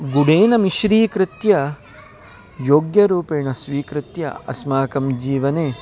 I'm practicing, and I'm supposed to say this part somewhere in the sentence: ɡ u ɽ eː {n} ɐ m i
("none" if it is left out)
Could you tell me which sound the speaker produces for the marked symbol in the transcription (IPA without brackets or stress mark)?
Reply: n